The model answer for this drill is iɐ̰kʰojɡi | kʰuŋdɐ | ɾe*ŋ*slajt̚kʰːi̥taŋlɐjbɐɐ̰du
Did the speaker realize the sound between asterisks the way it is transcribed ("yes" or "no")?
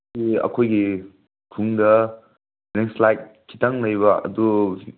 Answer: yes